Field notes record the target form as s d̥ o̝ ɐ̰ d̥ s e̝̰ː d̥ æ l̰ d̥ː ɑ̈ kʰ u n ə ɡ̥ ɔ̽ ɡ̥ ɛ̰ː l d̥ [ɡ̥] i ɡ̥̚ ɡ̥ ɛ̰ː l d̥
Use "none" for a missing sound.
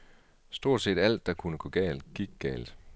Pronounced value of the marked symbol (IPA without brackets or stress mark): ɡ̥